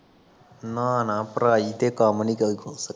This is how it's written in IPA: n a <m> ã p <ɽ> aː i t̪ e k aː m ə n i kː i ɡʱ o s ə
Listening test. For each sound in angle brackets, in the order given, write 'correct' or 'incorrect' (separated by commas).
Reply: incorrect, incorrect